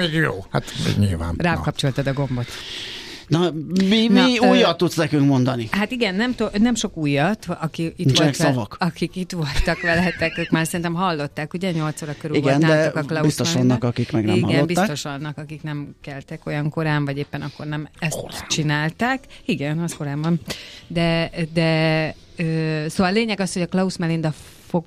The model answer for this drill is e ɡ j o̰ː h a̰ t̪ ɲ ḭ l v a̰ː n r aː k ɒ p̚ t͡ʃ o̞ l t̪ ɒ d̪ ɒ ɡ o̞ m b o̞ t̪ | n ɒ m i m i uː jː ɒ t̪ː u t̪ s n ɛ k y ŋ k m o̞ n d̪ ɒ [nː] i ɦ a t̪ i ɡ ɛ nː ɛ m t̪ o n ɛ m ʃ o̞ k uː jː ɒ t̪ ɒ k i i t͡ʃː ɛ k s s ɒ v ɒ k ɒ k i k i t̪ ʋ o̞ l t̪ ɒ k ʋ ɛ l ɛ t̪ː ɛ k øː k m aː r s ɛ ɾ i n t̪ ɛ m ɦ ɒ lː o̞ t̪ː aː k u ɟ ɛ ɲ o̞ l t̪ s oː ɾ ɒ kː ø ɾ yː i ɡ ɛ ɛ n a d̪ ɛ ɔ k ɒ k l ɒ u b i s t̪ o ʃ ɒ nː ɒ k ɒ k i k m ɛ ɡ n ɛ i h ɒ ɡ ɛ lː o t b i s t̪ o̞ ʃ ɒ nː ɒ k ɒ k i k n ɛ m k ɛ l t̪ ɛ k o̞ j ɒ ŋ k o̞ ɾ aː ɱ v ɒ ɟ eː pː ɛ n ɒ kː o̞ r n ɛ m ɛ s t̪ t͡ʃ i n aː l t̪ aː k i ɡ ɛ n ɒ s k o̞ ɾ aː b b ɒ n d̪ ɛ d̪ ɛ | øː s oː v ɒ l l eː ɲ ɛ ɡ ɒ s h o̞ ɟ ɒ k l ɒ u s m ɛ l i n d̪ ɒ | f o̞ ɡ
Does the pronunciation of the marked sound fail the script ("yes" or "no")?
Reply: yes